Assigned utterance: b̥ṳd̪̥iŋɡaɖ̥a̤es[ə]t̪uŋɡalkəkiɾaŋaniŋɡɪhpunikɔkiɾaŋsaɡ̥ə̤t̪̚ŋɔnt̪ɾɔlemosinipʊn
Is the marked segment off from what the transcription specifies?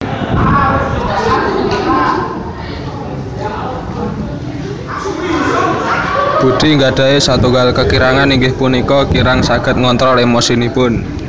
yes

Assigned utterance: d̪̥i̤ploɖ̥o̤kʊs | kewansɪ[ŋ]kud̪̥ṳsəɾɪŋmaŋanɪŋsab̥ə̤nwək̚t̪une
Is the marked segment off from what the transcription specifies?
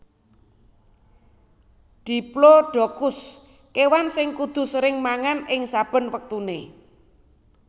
no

